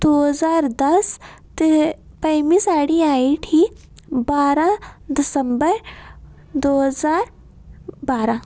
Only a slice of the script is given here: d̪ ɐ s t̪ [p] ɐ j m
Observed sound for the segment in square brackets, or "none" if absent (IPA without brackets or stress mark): p